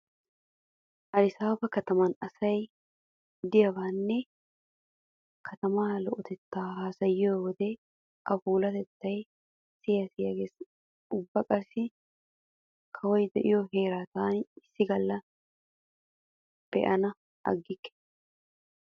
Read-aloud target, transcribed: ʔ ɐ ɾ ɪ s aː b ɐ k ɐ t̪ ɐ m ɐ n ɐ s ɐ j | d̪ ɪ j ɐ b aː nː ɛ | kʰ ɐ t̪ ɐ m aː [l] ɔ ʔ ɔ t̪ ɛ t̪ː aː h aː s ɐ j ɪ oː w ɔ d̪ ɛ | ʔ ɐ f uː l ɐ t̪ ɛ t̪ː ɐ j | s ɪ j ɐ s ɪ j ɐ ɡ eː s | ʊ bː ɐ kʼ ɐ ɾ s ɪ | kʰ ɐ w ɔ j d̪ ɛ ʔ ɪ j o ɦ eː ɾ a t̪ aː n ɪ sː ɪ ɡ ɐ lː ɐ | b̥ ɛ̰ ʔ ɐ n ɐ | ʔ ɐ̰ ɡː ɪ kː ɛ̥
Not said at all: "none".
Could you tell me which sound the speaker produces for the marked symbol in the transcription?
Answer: l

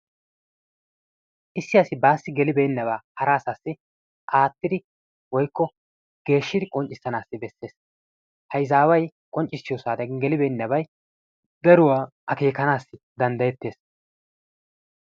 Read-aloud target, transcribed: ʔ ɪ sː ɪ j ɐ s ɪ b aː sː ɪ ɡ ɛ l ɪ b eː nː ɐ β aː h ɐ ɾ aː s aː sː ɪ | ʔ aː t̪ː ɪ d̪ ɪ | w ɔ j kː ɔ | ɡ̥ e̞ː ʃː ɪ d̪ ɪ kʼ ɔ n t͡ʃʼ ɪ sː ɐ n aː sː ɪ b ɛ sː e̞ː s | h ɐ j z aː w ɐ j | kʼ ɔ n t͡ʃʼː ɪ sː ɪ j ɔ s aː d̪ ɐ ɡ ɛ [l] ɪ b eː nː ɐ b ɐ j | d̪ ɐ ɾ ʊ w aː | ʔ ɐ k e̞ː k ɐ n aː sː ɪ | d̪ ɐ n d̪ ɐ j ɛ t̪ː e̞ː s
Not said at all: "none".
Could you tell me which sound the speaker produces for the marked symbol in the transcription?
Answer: l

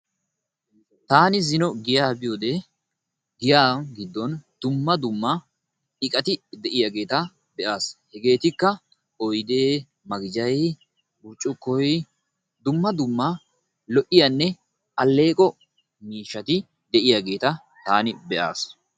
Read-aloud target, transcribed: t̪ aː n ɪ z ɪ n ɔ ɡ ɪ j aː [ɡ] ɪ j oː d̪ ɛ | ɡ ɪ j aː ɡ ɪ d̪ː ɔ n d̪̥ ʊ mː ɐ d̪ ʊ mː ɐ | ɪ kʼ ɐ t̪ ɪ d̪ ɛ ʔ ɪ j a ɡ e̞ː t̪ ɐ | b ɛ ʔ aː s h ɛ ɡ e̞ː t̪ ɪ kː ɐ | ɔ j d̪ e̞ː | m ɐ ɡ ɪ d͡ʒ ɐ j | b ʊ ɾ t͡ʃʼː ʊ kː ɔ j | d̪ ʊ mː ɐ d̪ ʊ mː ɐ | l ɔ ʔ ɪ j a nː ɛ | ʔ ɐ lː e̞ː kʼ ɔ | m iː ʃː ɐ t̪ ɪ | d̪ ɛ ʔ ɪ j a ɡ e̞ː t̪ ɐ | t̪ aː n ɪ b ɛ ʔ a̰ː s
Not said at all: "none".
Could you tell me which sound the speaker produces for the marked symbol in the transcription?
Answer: b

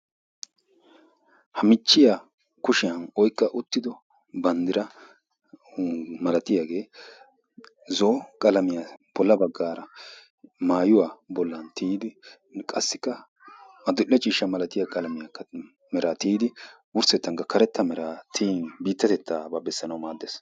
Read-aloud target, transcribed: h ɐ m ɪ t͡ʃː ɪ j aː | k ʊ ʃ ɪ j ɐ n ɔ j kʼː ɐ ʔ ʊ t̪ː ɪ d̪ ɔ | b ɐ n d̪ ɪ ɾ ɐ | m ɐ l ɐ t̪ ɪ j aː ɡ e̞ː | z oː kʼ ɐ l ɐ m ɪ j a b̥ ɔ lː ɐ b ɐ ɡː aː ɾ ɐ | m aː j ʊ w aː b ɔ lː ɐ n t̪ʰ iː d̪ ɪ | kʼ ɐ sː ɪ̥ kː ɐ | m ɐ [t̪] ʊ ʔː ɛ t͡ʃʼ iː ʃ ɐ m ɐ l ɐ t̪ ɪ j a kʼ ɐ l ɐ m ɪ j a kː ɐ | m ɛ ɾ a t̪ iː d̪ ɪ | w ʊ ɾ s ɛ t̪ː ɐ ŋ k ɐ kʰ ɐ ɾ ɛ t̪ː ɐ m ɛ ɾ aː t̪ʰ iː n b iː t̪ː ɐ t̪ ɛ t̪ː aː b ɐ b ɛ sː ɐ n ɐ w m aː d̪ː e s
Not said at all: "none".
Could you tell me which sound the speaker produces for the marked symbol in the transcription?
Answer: d̪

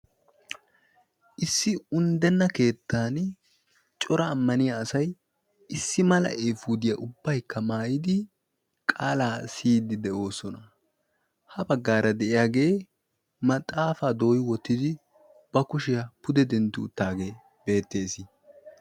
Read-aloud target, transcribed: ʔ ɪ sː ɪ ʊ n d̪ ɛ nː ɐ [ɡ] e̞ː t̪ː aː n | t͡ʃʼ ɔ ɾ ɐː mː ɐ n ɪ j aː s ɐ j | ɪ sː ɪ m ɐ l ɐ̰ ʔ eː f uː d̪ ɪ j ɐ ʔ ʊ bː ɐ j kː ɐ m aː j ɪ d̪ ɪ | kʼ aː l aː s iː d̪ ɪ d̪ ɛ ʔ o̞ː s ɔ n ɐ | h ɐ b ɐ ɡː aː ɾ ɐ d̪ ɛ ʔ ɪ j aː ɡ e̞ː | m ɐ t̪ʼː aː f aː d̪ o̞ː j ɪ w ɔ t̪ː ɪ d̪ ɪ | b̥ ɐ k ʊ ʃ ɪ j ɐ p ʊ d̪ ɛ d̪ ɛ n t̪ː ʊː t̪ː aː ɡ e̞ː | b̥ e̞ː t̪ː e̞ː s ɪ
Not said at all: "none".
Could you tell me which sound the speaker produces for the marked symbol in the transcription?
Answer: k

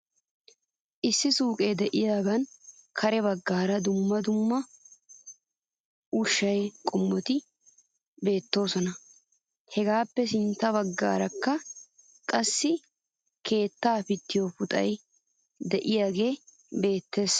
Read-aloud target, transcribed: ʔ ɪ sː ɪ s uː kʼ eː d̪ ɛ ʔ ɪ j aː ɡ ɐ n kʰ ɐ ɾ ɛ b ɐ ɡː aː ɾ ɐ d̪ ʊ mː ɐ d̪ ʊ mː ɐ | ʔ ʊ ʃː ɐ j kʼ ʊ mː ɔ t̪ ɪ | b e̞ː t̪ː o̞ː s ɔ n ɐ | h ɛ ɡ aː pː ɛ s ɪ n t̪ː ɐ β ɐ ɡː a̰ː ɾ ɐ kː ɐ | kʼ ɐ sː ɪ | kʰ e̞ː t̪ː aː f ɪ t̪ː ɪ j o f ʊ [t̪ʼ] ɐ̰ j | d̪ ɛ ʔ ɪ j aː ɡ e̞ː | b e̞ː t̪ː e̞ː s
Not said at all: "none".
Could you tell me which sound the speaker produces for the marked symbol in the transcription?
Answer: t̪ʼ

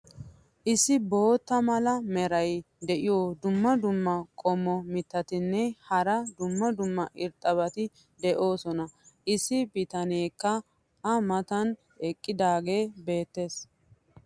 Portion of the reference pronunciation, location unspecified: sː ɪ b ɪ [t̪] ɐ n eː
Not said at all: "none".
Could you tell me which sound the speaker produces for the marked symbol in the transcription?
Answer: t̪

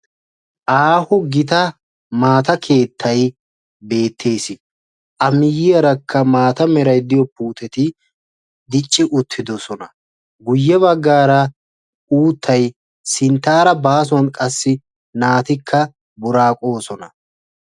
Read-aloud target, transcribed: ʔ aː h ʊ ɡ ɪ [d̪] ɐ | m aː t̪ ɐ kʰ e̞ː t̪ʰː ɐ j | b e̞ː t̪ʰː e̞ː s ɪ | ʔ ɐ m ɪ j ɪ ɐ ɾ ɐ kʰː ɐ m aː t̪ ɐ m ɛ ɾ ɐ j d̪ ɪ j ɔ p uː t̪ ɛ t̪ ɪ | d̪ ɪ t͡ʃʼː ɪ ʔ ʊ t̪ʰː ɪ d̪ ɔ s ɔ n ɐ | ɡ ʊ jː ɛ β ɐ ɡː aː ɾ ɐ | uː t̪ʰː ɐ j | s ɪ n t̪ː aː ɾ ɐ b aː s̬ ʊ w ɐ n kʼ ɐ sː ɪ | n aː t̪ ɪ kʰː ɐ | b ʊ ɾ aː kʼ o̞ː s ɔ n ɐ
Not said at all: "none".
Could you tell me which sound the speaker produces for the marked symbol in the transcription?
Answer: t̪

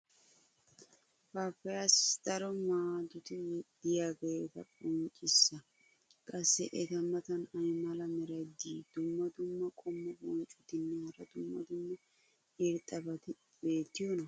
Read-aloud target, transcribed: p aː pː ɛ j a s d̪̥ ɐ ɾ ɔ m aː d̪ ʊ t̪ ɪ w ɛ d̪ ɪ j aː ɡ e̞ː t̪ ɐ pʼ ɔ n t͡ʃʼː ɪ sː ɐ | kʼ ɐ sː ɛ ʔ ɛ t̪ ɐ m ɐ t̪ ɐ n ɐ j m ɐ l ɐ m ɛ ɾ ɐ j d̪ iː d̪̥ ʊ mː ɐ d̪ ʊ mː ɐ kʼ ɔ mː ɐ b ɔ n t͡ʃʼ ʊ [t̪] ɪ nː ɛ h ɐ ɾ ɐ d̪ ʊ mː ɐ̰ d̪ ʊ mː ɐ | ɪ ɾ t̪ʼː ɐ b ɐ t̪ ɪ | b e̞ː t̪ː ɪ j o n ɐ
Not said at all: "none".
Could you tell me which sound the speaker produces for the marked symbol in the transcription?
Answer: t̪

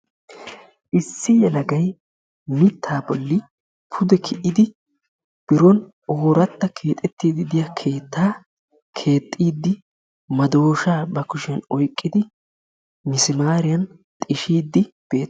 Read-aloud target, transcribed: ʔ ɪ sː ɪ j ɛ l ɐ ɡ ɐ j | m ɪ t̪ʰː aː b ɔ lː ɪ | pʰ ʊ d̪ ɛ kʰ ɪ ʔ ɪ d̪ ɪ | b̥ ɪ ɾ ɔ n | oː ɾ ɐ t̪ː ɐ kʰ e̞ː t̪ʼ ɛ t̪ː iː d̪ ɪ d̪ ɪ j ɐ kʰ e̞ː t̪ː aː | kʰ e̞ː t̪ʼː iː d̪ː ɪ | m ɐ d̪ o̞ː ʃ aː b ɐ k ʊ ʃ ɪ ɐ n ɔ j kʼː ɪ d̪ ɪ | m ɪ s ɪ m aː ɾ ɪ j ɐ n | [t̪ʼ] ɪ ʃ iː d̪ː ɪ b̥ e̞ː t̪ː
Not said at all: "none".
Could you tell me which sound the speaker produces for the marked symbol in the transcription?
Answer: t̪ʼ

